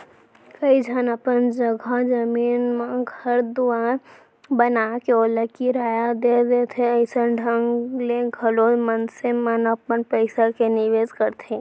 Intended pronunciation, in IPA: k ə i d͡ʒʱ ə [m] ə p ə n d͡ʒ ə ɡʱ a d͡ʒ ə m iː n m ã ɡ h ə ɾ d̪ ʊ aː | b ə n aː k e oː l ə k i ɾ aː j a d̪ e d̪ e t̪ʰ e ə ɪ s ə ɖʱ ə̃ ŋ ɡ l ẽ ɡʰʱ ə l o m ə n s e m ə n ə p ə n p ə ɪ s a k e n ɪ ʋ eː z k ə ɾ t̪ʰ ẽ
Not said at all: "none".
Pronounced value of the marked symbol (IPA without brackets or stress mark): n